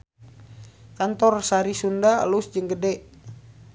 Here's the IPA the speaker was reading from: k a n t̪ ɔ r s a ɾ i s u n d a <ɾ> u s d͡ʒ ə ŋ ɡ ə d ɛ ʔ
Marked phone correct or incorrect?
incorrect: l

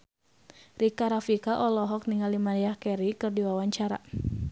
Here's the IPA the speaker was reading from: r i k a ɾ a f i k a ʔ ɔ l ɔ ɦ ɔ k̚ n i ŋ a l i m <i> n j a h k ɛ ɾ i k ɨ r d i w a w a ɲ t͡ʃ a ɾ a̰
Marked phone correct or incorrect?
incorrect: a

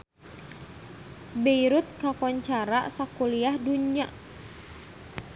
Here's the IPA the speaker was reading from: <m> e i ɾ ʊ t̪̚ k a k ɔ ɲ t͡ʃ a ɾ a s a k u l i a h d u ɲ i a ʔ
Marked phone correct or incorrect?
incorrect: b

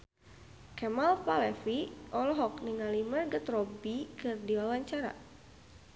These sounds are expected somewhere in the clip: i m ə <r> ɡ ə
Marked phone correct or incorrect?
correct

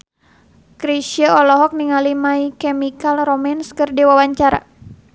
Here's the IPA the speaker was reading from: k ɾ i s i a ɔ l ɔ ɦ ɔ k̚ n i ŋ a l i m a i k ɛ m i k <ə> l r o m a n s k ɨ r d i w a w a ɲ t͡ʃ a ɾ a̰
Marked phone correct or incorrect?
incorrect: a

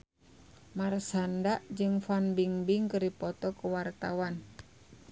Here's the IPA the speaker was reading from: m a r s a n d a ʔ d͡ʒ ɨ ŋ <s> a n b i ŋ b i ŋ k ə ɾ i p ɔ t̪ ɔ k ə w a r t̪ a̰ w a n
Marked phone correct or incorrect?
incorrect: f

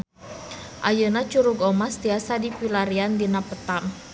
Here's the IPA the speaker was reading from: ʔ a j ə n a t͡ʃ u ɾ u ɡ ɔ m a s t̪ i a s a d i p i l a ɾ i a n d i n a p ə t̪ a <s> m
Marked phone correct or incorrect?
incorrect: none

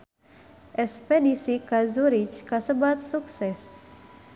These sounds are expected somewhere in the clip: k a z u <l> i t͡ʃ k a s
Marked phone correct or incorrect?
incorrect: ɾ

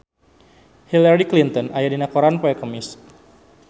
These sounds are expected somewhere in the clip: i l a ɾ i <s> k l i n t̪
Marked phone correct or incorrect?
incorrect: none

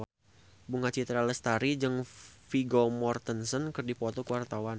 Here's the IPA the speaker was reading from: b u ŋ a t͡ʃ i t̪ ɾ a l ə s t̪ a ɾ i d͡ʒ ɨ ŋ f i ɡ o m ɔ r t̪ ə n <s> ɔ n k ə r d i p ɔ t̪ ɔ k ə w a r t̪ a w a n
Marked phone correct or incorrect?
correct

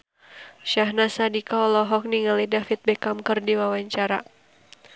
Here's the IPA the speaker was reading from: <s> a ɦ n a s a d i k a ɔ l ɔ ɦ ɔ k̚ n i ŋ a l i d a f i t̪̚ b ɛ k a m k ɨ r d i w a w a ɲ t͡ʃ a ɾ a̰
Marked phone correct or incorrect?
incorrect: ʃ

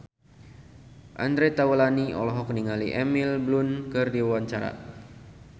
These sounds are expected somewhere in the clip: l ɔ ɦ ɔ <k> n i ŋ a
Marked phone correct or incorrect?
correct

